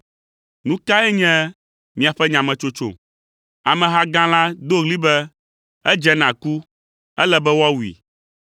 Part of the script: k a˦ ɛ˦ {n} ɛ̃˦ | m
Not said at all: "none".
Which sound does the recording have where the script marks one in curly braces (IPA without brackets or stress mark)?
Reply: ɲ